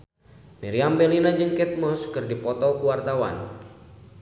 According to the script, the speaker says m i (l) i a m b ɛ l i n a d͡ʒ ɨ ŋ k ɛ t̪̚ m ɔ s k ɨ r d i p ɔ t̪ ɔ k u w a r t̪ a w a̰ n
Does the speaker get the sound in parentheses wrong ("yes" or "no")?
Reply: yes